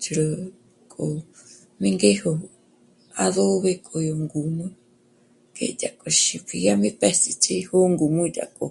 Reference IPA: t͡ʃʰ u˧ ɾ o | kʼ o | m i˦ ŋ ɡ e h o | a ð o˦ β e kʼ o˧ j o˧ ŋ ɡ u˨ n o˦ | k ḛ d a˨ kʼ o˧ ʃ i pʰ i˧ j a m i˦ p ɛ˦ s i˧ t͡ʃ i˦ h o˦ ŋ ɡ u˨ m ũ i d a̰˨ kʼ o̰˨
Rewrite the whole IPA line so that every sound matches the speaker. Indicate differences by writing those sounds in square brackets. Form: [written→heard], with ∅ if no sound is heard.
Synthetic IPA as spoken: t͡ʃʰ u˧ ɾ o | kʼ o | m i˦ ŋ ɡ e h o | a ð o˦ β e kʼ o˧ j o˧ ŋ ɡ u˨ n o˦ | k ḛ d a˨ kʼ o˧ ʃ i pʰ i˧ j a m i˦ p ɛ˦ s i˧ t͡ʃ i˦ h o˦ ŋ ɡ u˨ m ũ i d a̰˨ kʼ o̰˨

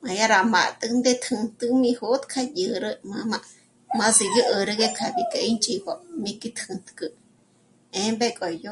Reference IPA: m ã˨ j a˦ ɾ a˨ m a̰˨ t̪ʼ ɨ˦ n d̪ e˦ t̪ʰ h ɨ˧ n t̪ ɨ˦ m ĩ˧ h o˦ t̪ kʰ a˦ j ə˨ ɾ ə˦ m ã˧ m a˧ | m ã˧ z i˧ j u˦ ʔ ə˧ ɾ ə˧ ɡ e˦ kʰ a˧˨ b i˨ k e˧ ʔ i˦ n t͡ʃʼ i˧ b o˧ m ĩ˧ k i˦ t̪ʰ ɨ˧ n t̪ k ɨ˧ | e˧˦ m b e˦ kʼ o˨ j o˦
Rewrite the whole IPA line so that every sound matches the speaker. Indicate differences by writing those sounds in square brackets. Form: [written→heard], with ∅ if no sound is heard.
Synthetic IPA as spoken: m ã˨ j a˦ ɾ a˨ m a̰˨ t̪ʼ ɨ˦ n d̪ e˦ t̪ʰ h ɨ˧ n t̪ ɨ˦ m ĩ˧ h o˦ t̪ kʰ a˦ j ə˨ ɾ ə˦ m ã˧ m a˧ | m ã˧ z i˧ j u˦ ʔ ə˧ ɾ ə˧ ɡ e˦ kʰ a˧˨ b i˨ k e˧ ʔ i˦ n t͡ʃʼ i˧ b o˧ m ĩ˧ k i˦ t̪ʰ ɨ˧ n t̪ k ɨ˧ | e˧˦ m b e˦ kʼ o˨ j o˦

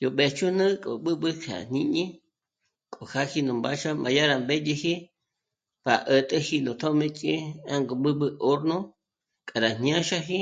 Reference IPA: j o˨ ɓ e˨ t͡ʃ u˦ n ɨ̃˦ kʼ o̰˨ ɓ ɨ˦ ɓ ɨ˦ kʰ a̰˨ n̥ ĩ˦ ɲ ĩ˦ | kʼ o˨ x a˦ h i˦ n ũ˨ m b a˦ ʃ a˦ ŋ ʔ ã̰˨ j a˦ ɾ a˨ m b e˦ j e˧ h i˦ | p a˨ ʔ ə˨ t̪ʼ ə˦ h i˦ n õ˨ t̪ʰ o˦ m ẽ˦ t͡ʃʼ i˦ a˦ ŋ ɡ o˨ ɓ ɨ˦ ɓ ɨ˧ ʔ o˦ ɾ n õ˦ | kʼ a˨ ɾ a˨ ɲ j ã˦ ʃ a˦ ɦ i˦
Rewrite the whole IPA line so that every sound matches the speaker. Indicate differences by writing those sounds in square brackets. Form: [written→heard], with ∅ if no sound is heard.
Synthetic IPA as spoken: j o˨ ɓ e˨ t͡ʃ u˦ n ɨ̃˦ kʼ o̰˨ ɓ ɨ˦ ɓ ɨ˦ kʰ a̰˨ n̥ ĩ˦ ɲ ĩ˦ | kʼ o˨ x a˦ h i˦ n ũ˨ m b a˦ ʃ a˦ [ŋ→m] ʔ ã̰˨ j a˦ ɾ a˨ m b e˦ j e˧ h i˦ | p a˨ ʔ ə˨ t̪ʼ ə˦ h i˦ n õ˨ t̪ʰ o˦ m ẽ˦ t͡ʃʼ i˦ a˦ ŋ ɡ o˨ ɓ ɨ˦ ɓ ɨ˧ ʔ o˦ ɾ n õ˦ | kʼ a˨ ɾ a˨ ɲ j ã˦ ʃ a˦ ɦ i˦

